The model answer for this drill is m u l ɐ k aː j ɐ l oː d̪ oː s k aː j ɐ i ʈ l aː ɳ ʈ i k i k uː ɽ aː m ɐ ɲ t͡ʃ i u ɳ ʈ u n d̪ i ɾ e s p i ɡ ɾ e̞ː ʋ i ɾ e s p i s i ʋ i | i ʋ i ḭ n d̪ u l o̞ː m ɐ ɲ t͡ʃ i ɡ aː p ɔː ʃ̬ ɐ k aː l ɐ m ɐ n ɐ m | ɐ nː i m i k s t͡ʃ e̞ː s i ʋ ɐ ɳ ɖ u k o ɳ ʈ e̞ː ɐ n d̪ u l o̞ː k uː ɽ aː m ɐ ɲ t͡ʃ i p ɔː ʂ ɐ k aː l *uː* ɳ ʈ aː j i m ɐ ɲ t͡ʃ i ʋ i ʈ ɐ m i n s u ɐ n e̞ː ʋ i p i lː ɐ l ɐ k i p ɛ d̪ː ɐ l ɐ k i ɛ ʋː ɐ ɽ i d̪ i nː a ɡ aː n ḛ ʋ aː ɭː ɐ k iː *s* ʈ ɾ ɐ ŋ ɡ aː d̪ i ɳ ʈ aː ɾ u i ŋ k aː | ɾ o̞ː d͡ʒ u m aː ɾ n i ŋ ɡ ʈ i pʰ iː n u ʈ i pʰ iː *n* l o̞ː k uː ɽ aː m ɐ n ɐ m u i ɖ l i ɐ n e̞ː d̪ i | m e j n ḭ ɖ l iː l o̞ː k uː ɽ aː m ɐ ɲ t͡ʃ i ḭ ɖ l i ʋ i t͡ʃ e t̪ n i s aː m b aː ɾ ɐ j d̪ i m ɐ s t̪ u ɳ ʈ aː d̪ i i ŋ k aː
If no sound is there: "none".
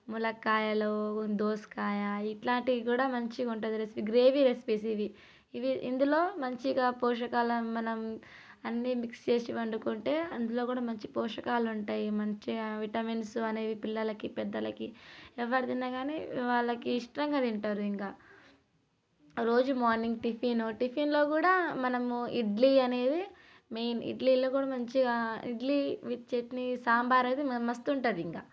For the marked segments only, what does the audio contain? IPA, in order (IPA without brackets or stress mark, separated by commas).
u, ʂ, n